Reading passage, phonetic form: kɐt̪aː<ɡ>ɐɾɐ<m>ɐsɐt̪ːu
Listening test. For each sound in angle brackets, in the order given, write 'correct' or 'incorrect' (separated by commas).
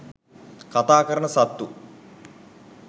incorrect, incorrect